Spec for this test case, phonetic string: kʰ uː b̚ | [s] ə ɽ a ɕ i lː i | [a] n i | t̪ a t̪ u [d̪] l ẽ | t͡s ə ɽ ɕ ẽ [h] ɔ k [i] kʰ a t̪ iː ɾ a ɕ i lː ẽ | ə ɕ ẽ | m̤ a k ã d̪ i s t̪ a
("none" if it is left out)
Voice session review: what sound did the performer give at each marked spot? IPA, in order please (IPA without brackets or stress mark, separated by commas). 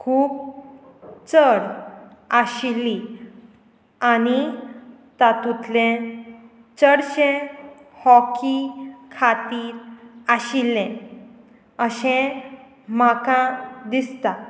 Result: t͡s, a, t̪, h, i